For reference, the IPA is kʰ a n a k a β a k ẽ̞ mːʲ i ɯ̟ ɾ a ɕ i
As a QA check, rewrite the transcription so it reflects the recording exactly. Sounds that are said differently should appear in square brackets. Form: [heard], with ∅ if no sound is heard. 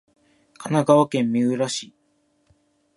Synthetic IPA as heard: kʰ a n a [ɡ] a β a k ẽ̞ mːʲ i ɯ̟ ɾ a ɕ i